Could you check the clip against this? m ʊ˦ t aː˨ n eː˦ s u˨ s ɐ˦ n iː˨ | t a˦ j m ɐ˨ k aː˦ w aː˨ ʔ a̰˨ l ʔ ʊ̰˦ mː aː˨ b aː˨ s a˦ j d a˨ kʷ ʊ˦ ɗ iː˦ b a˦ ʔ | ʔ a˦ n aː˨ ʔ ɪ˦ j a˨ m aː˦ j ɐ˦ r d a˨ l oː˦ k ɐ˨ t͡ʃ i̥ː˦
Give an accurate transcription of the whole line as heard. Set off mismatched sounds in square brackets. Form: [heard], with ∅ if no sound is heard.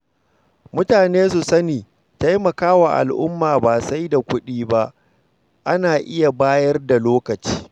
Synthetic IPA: m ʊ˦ t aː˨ n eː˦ s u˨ s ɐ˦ n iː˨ | t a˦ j m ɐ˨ k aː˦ w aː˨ ʔ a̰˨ l ʔ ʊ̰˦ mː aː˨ b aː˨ s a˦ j d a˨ kʷ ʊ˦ ɗ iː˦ b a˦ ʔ | ʔ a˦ n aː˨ ʔ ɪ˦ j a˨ [b] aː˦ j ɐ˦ r d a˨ l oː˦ k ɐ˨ t͡ʃ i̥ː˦